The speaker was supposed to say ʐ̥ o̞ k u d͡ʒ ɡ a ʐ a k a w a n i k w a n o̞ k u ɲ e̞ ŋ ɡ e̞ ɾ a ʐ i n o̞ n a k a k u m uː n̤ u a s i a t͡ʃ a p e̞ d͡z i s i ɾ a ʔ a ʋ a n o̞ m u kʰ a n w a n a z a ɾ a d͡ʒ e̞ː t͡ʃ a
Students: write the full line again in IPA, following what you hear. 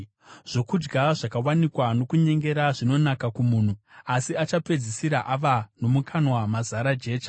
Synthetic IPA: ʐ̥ o̞ k u d͡ʒ ɡ a ʐ a k a w a n i k w a n o̞ k u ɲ e̞ ŋ ɡ e̞ ɾ a ʐ i n o̞ n a k a k u m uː n̤ u a s i a t͡ʃ a p e̞ d͡z i s i ɾ a ʔ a ʋ a n o̞ m u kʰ a n w a m a z a ɾ a d͡ʒ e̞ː t͡ʃ a